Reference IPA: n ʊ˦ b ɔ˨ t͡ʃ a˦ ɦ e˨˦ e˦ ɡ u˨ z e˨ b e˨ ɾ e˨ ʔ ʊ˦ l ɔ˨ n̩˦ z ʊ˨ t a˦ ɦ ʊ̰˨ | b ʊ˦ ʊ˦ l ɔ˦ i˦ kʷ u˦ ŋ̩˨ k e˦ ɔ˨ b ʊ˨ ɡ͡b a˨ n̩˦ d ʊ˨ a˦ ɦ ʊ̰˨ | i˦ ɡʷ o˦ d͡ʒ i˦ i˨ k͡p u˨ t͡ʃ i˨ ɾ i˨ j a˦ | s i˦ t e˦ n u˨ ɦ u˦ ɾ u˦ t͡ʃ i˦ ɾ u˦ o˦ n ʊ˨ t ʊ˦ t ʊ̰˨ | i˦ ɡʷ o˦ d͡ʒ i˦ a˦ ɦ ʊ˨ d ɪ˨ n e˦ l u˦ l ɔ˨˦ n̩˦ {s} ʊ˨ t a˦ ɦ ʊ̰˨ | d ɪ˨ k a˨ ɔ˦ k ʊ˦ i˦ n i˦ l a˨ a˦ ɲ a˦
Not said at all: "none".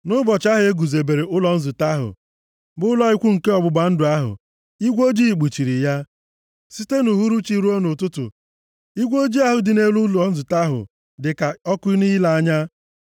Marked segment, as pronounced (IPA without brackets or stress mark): z